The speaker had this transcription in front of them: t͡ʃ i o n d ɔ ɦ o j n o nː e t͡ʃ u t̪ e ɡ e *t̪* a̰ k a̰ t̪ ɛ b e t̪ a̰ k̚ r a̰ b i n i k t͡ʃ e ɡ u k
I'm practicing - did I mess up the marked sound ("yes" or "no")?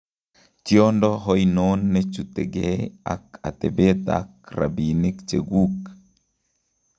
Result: yes